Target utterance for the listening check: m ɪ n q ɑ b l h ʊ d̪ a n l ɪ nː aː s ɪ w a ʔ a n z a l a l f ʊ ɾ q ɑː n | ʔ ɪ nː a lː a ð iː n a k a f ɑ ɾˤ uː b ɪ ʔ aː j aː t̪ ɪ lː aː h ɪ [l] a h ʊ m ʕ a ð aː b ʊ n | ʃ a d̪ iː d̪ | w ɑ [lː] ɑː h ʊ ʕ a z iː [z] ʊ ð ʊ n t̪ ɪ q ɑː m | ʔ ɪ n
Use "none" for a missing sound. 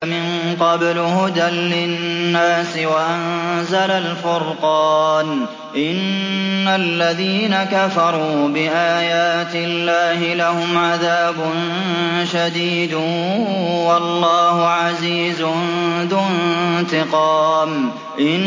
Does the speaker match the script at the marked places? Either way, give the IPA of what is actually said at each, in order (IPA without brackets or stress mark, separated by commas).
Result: l, lː, z